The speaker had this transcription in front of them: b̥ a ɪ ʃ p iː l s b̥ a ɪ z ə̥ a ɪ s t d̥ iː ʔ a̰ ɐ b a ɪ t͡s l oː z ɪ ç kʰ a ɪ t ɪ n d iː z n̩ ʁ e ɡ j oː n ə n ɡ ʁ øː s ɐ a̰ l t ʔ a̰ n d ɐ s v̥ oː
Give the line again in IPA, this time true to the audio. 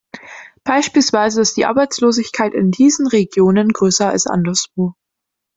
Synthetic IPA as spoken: b̥ a ɪ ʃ p iː l s v̥ a ɪ z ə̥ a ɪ s t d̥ iː ʔ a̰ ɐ b a ɪ t͡s l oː z ɪ ç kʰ a ɪ t ɪ n d iː z n̩ ʁ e ɡ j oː n ə n ɡ ʁ øː s ɐ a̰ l s ʔ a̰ n d ɐ s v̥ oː